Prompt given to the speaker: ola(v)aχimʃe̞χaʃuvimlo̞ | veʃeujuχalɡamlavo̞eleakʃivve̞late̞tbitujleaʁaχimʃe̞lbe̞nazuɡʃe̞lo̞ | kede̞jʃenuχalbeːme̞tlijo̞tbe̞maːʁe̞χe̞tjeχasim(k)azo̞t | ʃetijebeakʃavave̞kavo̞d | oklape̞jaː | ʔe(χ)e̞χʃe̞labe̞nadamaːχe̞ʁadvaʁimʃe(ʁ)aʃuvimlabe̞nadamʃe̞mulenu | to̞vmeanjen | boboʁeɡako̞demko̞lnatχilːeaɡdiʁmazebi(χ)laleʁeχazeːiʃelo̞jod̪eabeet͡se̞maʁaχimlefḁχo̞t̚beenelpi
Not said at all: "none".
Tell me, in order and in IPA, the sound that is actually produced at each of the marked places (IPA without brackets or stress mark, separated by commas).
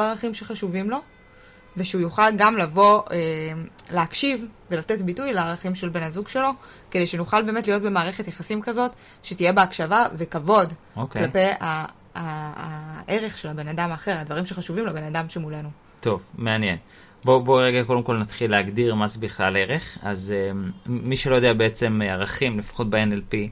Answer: ʁ, k, ʁ, χ, χ